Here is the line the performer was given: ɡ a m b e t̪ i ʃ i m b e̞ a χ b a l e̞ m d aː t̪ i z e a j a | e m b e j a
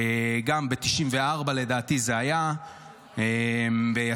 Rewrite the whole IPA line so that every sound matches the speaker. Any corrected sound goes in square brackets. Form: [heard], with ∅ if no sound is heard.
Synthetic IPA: ɡ a m b e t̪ i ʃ i m [v] e̞ a [ʁ] b a l e̞ [∅] d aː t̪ i z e a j a | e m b e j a